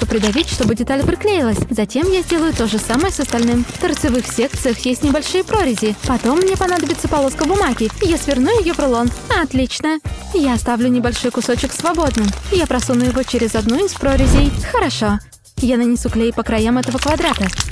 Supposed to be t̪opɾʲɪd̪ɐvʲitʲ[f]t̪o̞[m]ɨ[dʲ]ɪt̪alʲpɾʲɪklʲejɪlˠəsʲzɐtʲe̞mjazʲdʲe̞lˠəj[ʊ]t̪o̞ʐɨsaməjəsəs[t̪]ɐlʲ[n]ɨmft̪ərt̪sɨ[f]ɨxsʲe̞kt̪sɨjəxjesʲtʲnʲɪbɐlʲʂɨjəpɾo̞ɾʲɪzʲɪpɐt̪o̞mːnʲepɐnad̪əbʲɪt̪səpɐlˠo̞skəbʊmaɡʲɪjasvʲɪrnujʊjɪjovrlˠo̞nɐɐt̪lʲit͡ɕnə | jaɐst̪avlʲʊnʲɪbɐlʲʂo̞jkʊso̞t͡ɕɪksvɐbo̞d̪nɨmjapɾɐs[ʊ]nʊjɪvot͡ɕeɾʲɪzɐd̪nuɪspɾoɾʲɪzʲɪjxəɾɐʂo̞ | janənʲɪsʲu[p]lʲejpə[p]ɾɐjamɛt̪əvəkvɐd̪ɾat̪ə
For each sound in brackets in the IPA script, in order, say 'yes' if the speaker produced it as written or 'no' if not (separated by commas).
no, no, yes, yes, yes, yes, no, no, no, no